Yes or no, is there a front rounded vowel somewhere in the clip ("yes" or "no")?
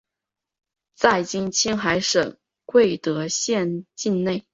no